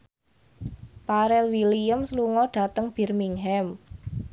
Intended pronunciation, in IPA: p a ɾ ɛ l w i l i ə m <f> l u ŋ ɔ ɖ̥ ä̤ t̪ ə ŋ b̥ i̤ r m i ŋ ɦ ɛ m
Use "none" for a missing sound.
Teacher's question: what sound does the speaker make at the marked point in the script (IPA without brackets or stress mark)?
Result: s